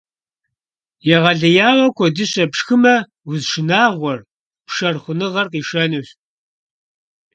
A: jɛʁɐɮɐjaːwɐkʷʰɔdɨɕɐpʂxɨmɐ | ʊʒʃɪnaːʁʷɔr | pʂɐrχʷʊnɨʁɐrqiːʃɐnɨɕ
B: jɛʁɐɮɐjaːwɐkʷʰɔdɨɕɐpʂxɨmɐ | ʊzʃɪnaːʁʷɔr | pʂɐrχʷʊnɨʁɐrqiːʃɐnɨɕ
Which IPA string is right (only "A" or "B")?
B